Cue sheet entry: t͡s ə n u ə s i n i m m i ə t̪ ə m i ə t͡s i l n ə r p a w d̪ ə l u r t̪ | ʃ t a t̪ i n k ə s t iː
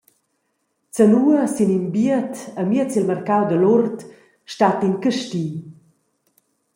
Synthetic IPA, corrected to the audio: t͡s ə n u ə s i n i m b i ə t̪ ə m i ə t͡s i l m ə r k a w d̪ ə l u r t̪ | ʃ t a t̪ i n k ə ʃ t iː